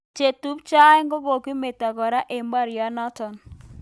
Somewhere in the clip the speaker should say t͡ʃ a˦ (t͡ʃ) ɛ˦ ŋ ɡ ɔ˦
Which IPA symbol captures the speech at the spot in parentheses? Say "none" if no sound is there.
none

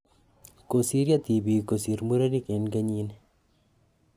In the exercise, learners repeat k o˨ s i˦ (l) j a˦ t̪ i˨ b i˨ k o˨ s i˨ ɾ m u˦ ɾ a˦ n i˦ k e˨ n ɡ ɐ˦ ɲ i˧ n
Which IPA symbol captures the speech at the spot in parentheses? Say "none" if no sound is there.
ɾ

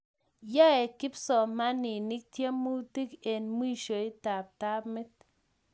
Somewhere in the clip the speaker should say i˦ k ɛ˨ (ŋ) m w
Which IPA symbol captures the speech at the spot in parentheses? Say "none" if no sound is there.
n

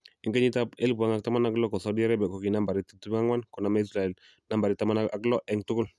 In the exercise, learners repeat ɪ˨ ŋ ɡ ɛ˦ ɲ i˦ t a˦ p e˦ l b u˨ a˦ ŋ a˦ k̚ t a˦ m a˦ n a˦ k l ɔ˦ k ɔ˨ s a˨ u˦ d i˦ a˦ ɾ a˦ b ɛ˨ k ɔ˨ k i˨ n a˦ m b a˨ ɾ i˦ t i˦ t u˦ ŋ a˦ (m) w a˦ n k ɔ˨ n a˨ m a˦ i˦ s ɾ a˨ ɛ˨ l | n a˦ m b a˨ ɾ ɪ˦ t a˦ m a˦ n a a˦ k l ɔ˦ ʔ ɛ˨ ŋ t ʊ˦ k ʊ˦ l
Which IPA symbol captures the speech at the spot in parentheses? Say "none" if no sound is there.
ŋ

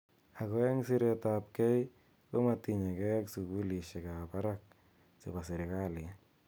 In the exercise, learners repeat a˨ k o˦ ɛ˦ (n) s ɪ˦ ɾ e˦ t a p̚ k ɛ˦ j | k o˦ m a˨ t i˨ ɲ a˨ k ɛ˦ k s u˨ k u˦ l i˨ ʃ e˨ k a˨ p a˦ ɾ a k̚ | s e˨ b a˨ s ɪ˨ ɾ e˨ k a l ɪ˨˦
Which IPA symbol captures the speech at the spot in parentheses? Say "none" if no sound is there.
ŋ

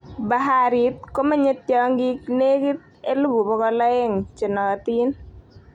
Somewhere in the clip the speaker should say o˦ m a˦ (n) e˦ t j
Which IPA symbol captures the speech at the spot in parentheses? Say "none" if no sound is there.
ɲ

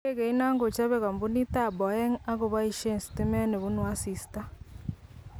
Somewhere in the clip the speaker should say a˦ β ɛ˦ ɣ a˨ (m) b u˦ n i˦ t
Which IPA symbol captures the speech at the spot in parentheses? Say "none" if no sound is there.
m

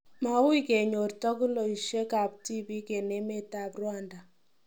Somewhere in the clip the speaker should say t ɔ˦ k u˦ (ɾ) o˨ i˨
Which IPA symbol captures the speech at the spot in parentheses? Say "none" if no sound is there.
l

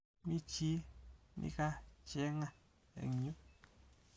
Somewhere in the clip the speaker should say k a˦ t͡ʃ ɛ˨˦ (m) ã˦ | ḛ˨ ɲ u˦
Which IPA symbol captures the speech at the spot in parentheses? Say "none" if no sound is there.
ŋ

